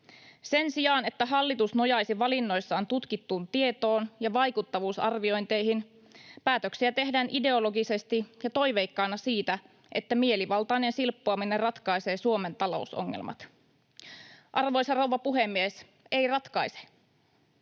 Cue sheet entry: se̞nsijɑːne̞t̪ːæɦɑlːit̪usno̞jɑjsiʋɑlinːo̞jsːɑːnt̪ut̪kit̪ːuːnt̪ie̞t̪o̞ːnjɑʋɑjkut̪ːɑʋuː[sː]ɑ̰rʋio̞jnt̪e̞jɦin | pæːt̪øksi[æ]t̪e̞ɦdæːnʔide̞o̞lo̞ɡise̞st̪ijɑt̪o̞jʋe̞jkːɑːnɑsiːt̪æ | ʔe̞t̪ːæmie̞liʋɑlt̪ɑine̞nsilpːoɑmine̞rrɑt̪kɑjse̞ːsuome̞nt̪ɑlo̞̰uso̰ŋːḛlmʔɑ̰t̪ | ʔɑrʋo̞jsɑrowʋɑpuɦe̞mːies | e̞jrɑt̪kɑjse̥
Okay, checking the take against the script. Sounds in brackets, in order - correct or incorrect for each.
incorrect, correct

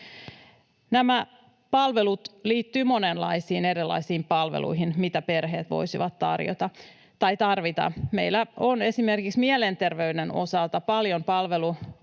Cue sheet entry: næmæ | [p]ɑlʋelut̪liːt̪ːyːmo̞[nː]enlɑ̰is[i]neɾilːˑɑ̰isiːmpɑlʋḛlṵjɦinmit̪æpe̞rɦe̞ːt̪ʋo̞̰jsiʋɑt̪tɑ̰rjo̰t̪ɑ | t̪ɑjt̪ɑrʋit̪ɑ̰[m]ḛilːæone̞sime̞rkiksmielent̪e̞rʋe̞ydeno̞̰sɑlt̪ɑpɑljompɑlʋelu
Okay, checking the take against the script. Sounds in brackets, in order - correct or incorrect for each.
correct, incorrect, incorrect, correct

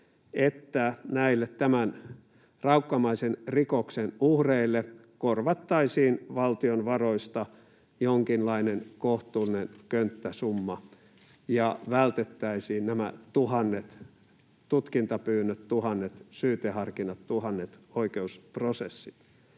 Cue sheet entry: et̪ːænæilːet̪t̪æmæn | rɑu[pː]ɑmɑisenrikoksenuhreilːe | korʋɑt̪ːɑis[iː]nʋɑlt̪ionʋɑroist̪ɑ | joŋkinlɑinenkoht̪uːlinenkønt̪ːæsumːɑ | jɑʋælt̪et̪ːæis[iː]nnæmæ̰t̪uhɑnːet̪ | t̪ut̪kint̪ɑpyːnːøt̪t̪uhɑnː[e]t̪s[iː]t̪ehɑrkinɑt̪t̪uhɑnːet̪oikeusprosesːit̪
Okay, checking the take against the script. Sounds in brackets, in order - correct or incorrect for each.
incorrect, correct, correct, correct, incorrect

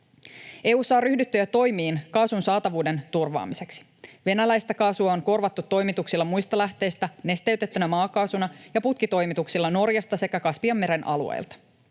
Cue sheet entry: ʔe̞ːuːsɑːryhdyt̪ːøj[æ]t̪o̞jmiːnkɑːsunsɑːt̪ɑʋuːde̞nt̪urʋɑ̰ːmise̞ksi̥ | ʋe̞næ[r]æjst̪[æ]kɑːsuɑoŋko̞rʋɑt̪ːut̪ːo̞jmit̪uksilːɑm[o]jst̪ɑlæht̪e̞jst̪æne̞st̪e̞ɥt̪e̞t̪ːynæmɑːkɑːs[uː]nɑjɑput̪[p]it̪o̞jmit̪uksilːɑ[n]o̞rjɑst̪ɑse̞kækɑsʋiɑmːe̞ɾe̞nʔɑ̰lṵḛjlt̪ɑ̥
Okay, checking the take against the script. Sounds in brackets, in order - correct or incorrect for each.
correct, incorrect, correct, incorrect, incorrect, incorrect, correct

